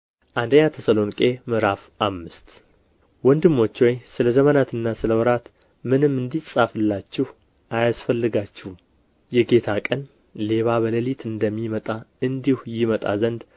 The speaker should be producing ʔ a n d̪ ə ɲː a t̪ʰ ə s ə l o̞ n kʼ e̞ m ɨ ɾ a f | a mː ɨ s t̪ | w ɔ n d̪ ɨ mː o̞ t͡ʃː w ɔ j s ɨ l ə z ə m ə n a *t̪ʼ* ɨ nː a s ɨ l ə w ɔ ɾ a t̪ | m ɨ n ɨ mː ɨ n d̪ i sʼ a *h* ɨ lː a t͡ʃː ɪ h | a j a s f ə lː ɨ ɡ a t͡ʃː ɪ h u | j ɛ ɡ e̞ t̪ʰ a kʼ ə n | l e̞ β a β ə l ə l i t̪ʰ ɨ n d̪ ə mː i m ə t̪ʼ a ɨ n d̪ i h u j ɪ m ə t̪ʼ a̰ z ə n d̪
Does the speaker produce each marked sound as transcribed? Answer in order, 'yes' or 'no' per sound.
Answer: no, no

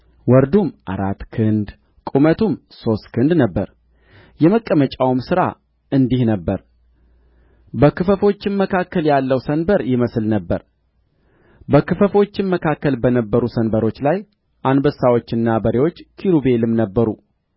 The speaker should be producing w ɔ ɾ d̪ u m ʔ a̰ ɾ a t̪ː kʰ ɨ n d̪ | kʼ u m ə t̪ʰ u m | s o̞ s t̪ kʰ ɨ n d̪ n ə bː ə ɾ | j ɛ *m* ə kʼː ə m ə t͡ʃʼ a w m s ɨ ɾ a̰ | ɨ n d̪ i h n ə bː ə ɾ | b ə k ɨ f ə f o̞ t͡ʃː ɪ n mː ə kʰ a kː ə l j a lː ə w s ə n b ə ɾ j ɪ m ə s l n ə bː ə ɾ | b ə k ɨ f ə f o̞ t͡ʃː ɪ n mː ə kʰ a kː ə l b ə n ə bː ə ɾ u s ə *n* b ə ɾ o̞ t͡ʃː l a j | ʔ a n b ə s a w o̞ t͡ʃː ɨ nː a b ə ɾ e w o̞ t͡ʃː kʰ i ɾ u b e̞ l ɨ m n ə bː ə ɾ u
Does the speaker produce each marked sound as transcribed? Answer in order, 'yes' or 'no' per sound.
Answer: yes, yes

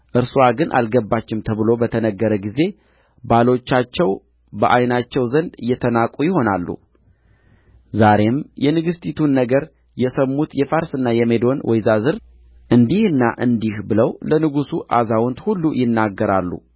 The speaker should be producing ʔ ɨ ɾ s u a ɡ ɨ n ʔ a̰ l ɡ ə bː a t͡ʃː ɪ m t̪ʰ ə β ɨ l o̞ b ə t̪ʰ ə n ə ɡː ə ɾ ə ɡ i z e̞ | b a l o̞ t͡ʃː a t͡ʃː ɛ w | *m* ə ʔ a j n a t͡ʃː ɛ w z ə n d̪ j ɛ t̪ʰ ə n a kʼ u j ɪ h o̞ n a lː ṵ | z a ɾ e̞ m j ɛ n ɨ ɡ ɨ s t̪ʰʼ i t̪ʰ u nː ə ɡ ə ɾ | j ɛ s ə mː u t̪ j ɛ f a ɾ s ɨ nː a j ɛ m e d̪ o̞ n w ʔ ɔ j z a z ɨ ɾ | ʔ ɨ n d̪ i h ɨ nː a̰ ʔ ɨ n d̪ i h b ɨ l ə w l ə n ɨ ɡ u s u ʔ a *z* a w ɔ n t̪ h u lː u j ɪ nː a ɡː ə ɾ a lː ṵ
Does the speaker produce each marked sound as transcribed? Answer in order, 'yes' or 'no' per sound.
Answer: no, yes

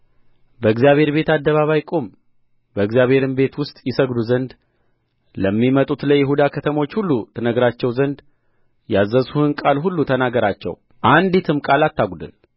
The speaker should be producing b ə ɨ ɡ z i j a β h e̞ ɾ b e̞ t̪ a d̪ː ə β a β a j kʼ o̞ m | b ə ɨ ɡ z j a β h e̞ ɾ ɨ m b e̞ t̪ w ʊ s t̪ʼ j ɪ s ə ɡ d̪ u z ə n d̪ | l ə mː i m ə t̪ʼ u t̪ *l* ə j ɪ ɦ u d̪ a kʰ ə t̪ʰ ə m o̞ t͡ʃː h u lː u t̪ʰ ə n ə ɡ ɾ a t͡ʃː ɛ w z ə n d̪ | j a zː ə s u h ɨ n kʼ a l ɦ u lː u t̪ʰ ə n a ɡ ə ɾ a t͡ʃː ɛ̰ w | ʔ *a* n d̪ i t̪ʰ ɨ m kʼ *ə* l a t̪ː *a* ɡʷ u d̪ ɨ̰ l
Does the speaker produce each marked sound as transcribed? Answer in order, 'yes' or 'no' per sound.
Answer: yes, yes, no, yes

